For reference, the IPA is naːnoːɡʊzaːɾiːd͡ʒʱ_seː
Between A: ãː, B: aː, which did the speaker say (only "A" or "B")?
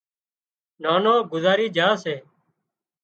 B